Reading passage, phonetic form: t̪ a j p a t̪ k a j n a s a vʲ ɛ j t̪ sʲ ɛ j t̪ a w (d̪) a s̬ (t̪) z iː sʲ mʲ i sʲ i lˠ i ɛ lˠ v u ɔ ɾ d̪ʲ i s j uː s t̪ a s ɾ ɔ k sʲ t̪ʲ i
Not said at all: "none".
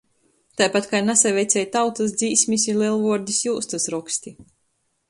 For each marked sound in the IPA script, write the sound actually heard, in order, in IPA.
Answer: t̪, d̪

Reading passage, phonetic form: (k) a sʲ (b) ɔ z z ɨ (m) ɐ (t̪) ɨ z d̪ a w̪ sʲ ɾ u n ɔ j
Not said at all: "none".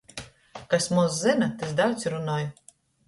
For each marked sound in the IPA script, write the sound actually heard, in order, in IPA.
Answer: k, m, n, t̪

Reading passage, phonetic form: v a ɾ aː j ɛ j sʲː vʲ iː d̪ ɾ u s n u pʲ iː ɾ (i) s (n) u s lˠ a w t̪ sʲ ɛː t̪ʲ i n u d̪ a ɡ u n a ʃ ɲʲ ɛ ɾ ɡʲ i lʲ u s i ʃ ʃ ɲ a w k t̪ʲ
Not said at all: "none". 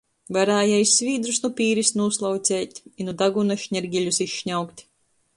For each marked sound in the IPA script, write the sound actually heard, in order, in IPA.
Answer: i, n

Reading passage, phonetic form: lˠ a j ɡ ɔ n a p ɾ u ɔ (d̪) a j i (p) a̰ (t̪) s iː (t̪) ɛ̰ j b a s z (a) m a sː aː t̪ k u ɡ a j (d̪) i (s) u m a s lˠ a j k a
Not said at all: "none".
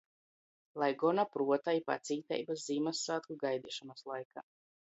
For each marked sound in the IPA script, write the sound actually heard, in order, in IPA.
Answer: t̪, p, t̪, t̪, i, d̪, ʃ

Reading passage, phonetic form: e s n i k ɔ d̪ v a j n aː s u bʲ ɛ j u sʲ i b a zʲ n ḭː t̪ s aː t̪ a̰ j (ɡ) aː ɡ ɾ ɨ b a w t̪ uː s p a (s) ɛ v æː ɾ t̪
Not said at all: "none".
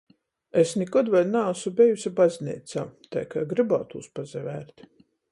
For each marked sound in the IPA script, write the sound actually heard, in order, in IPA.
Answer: k, z

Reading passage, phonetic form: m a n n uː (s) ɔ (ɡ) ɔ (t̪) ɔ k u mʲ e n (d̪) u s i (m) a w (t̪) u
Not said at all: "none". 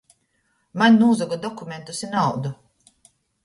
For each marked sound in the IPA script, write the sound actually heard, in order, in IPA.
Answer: z, ɡ, d̪, t̪, n, d̪

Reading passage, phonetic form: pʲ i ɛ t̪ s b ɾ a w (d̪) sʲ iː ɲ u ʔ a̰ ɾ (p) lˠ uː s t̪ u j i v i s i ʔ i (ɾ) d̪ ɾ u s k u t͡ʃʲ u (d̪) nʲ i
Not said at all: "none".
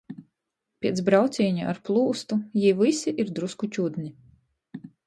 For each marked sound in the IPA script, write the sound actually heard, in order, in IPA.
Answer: t̪, p, ɾ, d̪

